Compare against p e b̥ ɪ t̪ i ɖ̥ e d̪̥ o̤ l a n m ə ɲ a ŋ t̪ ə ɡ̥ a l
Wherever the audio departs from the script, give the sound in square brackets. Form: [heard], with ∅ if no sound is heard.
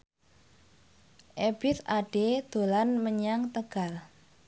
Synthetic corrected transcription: [ʔ] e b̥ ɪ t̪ [a] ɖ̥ e d̪̥ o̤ l a n m ə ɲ a ŋ t̪ ə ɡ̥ a l